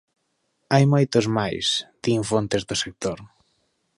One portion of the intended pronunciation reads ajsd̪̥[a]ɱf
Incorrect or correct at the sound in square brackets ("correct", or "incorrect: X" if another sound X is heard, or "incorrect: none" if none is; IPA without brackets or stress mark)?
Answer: incorrect: i